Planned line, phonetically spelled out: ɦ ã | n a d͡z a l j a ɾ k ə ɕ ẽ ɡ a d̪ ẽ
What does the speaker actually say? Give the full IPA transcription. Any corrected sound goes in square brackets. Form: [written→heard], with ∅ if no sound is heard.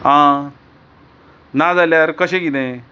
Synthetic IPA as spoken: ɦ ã | n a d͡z a l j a ɾ k ə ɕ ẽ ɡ [a→i] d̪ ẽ